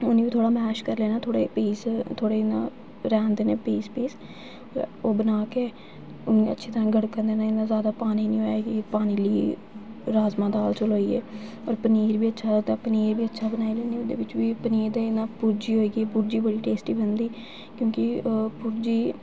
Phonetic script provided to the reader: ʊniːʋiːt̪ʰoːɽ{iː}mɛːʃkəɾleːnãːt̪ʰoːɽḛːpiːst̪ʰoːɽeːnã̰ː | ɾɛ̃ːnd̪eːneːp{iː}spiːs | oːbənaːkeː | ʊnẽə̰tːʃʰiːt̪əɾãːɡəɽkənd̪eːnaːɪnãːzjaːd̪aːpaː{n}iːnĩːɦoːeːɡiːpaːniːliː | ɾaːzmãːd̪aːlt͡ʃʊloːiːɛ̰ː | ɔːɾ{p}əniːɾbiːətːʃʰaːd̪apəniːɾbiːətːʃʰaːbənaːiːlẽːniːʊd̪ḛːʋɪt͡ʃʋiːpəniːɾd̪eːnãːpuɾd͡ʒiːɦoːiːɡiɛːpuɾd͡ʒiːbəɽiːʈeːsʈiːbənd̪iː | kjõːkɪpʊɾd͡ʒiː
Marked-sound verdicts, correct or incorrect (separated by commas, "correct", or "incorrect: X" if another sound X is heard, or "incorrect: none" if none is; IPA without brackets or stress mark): incorrect: aː, correct, correct, correct